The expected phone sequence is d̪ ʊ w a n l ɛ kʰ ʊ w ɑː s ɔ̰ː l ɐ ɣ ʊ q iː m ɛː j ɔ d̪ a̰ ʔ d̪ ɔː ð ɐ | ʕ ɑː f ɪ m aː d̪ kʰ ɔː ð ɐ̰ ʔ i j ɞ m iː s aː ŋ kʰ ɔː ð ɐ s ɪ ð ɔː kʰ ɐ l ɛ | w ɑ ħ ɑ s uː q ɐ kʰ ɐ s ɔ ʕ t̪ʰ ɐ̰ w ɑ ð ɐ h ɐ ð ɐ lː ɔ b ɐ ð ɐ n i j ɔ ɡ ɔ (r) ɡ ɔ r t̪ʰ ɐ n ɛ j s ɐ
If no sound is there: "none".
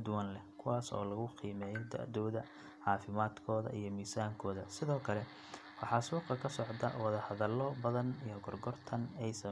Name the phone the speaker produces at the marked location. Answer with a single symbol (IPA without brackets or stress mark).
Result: r